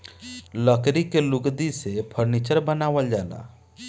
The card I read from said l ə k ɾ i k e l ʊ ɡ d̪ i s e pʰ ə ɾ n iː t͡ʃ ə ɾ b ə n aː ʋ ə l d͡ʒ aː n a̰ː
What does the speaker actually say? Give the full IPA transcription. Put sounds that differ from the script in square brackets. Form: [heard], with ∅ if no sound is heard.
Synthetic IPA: l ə k ɾ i k e l ʊ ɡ d̪ i s e pʰ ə ɾ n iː t͡ʃ ə ɾ b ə n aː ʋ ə l d͡ʒ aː n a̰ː